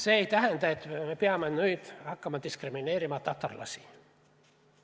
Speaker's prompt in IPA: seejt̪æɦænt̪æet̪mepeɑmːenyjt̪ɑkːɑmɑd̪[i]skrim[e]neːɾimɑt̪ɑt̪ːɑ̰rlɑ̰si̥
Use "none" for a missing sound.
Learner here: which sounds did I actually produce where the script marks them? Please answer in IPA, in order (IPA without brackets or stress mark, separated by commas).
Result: i, i